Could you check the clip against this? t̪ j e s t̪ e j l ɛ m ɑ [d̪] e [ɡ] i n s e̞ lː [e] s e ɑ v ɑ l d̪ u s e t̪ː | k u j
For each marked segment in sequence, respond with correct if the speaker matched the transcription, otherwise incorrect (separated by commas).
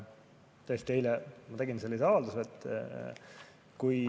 incorrect, correct, incorrect